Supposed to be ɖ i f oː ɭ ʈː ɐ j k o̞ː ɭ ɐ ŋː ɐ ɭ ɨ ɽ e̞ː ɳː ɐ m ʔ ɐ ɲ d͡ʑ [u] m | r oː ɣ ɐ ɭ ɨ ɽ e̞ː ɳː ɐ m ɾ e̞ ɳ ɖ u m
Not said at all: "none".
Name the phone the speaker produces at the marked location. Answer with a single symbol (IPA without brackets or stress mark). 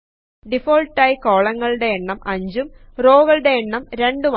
u